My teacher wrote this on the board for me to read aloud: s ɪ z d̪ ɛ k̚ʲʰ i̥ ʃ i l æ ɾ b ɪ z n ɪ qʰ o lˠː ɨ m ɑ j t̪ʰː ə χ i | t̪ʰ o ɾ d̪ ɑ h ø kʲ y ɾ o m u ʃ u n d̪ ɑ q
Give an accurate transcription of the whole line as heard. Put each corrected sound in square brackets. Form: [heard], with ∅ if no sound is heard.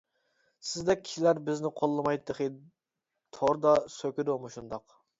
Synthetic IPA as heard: s ɪ z d̪ ɛ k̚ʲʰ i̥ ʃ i l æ ɾ b ɪ z n ɪ qʰ o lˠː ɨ m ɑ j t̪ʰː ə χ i | t̪ʰ o ɾ d̪ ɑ [s] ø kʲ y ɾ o m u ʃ u n d̪ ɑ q